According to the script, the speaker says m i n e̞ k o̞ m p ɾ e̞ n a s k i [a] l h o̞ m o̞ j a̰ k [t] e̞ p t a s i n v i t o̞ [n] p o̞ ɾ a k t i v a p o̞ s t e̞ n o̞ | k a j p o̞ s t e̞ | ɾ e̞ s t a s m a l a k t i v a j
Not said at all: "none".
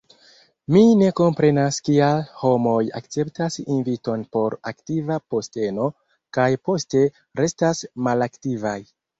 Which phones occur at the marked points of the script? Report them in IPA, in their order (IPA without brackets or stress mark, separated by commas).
a, t͡s, n